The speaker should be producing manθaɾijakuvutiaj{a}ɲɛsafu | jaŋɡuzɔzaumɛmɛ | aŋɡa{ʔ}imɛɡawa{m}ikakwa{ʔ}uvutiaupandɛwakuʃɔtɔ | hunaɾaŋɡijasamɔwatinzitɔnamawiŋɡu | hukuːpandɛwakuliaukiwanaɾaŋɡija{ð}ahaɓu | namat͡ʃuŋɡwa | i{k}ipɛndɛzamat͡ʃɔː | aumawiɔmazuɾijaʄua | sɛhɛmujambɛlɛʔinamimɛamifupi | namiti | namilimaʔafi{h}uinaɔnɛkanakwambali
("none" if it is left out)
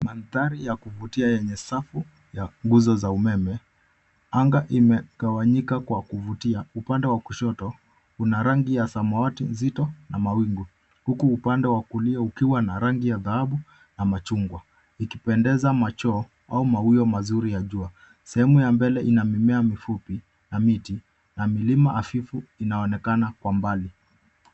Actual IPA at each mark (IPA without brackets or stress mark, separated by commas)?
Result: ɛ, ʔ, ɲ, k, ð, k, f